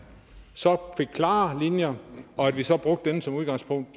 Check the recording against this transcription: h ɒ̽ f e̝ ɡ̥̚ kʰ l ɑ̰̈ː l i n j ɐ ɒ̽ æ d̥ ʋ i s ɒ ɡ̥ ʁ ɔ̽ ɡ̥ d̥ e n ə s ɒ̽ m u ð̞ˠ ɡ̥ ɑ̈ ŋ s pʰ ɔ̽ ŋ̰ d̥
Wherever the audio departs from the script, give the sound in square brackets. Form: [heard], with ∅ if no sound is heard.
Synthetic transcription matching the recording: [s] ɒ̽ f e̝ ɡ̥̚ kʰ l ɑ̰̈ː l i n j ɐ ɒ̽ æ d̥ ʋ i s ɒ [b̥] ʁ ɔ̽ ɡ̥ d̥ e n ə s ɒ̽ m u ð̞ˠ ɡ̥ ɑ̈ ŋ s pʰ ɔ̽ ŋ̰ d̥

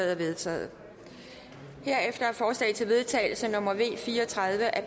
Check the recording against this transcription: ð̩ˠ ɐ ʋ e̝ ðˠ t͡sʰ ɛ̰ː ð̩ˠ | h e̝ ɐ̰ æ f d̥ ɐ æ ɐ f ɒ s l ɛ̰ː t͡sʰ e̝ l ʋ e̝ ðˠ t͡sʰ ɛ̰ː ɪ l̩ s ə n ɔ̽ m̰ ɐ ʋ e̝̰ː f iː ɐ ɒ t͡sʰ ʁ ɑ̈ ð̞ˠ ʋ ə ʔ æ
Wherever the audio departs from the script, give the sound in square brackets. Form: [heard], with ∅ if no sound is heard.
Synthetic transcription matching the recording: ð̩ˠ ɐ ʋ e̝ ðˠ t͡sʰ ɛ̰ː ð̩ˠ | h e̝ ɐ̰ [e] f d̥ ɐ æ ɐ f [ɒː] s l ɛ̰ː t͡sʰ e̝ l ʋ e̝ ðˠ t͡sʰ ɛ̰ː ɪ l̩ s ə n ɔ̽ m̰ ɐ ʋ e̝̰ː f iː ɐ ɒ t͡sʰ ʁ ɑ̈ ð̞ˠ ʋ ə ʔ æ

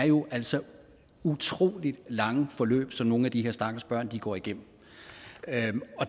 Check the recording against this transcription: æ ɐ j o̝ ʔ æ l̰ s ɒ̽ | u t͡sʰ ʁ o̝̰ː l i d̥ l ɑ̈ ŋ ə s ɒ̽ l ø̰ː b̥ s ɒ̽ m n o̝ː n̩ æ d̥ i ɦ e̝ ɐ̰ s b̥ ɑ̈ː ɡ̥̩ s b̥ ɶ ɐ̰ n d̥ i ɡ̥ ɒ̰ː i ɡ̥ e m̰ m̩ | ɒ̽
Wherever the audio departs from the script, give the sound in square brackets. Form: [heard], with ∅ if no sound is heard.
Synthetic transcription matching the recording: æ ɐ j o̝ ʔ æ l̰ s ɒ̽ | u t͡sʰ ʁ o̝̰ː l i d̥ l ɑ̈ ŋ ə [f] ɒ̽ l ø̰ː b̥ s ɒ̽ m n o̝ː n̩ æ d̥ i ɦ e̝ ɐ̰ s [d̥] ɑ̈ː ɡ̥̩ s b̥ ɶ ɐ̰ n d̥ i ɡ̥ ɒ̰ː i ɡ̥ e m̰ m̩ | ɒ̽

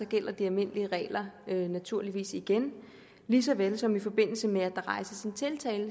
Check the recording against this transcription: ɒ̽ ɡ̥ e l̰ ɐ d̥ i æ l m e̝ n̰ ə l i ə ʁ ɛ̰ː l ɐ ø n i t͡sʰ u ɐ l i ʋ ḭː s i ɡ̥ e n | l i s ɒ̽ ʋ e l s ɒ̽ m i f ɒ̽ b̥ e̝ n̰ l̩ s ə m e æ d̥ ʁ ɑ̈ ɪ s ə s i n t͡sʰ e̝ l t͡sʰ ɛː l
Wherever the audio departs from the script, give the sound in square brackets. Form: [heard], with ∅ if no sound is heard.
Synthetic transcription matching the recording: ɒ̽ ɡ̥ e l̰ ɐ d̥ i æ l m e̝ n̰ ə l i ə ʁ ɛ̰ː l ɐ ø n [æ] t͡sʰ u ɐ l i ʋ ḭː s i ɡ̥ e n | l i s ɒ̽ ʋ e l s ɒ̽ m i f ɒ̽ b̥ e̝ n̰ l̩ s ə m e æ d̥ ʁ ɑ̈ ɪ s ə s i n t͡sʰ e̝ l t͡sʰ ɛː l

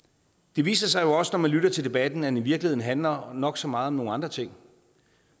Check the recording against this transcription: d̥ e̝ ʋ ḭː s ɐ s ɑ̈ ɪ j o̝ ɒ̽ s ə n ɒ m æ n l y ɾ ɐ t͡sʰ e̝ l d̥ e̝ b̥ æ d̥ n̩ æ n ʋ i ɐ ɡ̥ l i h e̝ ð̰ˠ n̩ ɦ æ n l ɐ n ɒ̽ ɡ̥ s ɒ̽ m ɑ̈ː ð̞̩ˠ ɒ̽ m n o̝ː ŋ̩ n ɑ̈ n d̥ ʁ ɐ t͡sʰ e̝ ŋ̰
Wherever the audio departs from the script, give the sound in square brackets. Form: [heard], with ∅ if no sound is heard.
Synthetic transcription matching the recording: d̥ e̝ ʋ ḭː s ɐ s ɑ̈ ɪ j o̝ ɒ̽ s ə n ɒ m æ n l y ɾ ɐ t͡sʰ e̝ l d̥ e̝ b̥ æ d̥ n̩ æ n ʋ i ɐ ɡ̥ l i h e̝ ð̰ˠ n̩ ɦ æ n l ɐ n ɒ̽ ɡ̥ s ɒ̽ m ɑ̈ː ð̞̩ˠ ɒ̽ m n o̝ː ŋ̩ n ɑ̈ n d̥ ʁ ɐ t͡sʰ e̝ ŋ̰

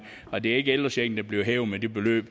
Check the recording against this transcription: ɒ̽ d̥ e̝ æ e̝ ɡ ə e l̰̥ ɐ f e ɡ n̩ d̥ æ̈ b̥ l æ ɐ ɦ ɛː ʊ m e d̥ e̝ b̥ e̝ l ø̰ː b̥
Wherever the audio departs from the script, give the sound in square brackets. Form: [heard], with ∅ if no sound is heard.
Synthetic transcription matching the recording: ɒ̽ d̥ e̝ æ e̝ ɡ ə e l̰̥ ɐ [s] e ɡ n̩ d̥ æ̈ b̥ l [i] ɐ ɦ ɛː ʊ m e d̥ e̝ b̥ e̝ l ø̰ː b̥

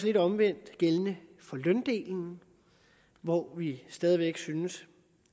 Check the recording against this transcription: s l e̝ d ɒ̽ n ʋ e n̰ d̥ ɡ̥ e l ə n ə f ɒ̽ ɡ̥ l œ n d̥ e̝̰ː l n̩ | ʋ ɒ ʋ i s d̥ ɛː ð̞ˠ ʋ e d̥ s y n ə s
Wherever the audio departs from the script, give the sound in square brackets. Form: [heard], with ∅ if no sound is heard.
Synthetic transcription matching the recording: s l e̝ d ɒ̽ [m] ʋ e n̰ d̥ ɡ̥ e l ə n ə f ɒ̽ [∅] l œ n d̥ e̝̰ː l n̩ | ʋ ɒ ʋ i s d̥ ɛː ð̞ˠ ʋ e [ɡ̥] s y n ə s

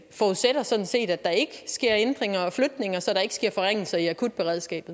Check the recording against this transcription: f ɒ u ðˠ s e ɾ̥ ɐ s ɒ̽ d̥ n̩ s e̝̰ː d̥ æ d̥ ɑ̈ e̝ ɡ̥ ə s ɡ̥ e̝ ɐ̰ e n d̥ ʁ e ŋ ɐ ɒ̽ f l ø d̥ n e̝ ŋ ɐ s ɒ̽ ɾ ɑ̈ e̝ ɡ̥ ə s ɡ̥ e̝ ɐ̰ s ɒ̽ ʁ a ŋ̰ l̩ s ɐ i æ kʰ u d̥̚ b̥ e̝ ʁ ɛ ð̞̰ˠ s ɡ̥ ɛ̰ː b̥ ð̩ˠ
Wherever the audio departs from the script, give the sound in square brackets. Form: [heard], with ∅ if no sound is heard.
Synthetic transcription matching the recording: f ɒ u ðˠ s e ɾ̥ ɐ s ɒ̽ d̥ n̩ s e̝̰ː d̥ æ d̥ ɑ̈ e̝ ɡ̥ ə s ɡ̥ e̝ ɐ̰ e n d̥ ʁ e ŋ ɐ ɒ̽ f l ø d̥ n e̝ ŋ ɐ s ɒ̽ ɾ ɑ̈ e̝ ɡ̥ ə s ɡ̥ e̝ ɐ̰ [f] ɒ̽ ʁ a ŋ̰ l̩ s ɐ i æ kʰ u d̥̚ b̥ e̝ ʁ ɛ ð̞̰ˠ s ɡ̥ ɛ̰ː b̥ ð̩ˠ

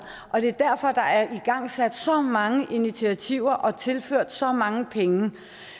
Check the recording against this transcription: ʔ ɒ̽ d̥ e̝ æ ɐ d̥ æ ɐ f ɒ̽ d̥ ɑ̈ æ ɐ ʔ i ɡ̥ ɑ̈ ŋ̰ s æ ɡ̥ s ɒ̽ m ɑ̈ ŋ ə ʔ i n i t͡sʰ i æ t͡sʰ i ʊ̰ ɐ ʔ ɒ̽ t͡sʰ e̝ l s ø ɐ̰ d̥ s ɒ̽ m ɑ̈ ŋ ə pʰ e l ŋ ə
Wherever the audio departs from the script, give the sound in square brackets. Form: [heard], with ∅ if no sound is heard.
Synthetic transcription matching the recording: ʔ ɒ̽ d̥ e̝ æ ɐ d̥ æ ɐ f ɒ̽ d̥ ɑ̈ æ ɐ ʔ i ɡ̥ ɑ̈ ŋ̰ s æ [d̥] s ɒ̽ m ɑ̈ ŋ ə ʔ i n i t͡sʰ i æ t͡sʰ i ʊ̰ ɐ ʔ ɒ̽ t͡sʰ e̝ l [f] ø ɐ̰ d̥ s ɒ̽ m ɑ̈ ŋ ə pʰ e [∅] ŋ ə

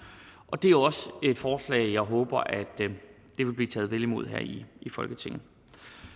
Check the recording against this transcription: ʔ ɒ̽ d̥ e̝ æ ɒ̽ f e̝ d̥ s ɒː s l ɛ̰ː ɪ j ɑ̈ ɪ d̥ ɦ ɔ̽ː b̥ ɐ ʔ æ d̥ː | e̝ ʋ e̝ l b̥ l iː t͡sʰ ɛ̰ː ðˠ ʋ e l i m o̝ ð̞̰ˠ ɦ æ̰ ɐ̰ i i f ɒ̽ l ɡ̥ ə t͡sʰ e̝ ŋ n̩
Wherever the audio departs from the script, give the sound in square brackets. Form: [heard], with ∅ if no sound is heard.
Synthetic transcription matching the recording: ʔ ɒ̽ d̥ e̝ æ ɒ̽ [s] e̝ d̥ [f] ɒː s l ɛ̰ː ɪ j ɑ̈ ɪ [∅] ɦ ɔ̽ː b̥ ɐ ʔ æ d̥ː | e̝ ʋ e̝ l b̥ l iː t͡sʰ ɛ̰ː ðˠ ʋ e l i m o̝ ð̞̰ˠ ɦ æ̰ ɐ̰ i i f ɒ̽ l ɡ̥ ə t͡sʰ e̝ ŋ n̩

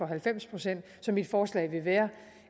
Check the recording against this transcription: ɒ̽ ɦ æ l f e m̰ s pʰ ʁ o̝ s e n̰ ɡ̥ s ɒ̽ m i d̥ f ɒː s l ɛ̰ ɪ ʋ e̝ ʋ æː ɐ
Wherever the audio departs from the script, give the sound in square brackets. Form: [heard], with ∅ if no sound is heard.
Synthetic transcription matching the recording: ɒ̽ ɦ æ l f e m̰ s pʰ ʁ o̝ s e n̰ [d̥] s ɒ̽ m i d̥ f ɒː s l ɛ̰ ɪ ʋ e̝ ʋ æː ɐ

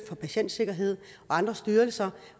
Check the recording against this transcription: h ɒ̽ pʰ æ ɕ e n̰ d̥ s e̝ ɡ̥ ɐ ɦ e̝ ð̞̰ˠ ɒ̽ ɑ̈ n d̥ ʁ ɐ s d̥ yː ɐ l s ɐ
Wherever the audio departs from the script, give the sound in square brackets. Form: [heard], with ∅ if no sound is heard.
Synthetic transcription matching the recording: [f] ɒ̽ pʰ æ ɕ e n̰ d̥ s e̝ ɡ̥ ɐ ɦ e̝ ð̞̰ˠ ɒ̽ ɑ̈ n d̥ ʁ ɐ s d̥ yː ɐ l s ɐ

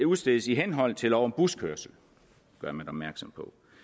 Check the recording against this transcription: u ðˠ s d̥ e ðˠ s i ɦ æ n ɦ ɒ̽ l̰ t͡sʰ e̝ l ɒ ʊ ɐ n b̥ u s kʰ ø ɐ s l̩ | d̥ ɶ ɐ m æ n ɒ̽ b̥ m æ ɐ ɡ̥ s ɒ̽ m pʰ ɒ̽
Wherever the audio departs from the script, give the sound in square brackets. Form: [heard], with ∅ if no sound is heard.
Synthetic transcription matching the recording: u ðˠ s d̥ e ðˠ s i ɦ [e] n ɦ ɒ̽ l̰ t͡sʰ e̝ l ɒ ʊ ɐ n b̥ u s kʰ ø ɐ s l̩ | [ɡ̥] ɶ ɐ m æ n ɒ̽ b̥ m æ ɐ ɡ̥ s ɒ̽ m pʰ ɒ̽

